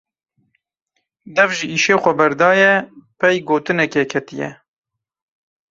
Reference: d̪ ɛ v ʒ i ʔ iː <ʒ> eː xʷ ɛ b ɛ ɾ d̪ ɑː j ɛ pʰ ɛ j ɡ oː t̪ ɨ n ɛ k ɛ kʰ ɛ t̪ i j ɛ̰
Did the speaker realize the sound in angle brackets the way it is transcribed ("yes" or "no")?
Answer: no